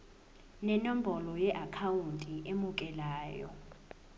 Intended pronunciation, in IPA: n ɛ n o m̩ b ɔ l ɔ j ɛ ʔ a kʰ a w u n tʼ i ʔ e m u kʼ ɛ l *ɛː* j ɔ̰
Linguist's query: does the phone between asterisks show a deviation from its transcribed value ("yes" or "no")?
yes